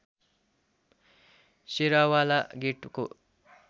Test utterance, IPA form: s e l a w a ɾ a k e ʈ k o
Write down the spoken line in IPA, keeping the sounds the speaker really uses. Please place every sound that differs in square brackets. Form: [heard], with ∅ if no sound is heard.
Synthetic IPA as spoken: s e [ɾ] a w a [l] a [ɡ] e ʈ k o